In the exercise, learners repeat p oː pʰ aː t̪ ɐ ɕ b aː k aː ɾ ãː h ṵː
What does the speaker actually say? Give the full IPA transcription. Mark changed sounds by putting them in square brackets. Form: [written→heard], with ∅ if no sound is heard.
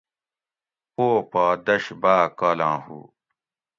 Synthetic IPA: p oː [pʰ→p] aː [t̪→d̪] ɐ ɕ b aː k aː [ɾ→l] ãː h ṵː